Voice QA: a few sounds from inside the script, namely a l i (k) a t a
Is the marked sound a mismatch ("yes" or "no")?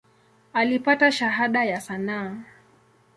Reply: yes